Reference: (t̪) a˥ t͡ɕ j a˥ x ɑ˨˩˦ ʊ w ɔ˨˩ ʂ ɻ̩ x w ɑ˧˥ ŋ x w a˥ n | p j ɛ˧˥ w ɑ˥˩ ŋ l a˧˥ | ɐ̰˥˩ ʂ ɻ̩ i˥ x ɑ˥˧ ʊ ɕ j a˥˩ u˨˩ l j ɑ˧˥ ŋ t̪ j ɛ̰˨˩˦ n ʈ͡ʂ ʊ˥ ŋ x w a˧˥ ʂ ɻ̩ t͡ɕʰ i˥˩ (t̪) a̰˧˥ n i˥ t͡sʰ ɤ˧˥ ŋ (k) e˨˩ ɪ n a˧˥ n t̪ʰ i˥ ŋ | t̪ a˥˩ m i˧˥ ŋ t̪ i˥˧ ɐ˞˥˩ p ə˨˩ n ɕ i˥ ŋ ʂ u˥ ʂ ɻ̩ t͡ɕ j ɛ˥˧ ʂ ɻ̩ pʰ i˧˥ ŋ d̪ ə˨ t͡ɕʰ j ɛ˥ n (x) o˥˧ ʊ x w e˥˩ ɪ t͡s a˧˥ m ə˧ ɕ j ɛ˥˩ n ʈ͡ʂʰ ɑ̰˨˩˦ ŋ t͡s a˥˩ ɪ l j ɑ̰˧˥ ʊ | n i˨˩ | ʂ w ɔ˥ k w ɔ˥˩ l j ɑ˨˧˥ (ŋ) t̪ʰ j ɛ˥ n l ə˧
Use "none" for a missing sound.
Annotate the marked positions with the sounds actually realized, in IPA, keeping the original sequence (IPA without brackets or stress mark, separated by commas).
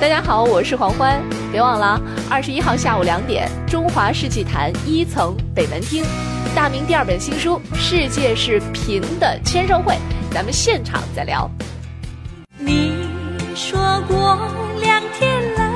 t̪, t̪ʰ, p, ʂ, ŋ